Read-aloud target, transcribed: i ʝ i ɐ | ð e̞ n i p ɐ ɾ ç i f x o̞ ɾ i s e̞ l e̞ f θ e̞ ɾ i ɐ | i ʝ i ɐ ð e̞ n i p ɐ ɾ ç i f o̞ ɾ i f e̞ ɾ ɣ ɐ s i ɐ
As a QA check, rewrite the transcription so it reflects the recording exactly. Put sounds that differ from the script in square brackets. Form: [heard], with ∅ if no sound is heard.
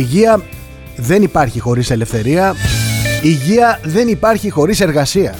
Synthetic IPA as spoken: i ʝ i ɐ | ð e̞ n i p ɐ ɾ ç i [∅] x o̞ ɾ i s e̞ l e̞ f θ e̞ ɾ i ɐ | i ʝ i ɐ ð e̞ n i p ɐ ɾ ç i [x] o̞ ɾ i [s] e̞ ɾ ɣ ɐ s i ɐ